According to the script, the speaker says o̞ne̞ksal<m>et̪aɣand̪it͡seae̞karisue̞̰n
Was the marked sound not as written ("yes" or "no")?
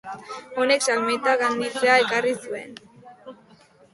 no